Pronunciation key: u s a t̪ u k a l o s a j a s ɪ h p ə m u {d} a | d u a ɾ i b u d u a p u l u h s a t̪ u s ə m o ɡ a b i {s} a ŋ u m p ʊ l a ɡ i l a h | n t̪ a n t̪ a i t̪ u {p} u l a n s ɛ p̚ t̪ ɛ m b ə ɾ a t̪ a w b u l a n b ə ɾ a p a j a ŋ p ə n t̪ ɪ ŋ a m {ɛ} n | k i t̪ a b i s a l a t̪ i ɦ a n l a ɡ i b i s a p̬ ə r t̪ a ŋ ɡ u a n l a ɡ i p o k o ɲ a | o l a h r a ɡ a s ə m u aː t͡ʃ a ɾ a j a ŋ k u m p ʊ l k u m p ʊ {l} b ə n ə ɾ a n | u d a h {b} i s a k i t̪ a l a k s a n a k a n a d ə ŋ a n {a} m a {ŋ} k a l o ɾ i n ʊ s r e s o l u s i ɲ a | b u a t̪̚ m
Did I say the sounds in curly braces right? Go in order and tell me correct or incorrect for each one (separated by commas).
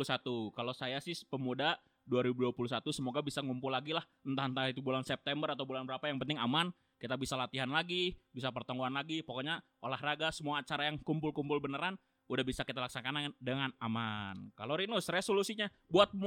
correct, correct, incorrect, incorrect, correct, correct, correct, incorrect